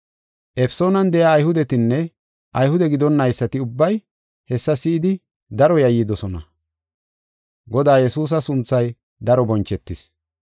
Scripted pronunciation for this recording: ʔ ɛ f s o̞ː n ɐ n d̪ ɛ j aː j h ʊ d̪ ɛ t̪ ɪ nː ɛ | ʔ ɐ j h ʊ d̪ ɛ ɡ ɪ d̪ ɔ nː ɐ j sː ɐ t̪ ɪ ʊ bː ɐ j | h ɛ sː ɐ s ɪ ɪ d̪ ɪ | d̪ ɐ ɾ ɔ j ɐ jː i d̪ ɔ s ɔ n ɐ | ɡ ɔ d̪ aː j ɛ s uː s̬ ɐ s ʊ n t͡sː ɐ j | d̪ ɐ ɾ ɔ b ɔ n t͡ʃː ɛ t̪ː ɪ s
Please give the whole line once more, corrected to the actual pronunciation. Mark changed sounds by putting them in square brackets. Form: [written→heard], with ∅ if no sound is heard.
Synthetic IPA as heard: ʔ ɛ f s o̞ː n ɐ n d̪ ɛ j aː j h ʊ d̪ ɛ t̪ ɪ nː ɛ | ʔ ɐ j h ʊ d̪ ɛ ɡ ɪ d̪ ɔ nː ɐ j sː ɐ t̪ ɪ ʊ bː ɐ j | h ɛ sː ɐ s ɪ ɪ d̪ ɪ | d̪ ɐ ɾ ɔ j ɐ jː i d̪ ɔ s ɔ n ɐ | ɡ ɔ d̪ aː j ɛ s uː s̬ ɐ s ʊ n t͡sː ɐ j | d̪ ɐ ɾ ɔ b ɔ n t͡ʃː ɛ t̪ː ɪ s